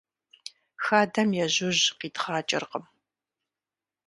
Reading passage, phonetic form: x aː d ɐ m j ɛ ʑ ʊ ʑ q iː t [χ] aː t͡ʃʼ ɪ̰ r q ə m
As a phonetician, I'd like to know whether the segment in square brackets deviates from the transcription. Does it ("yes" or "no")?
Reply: no